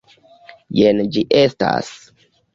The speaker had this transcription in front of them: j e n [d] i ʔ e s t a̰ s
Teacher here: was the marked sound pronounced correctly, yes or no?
no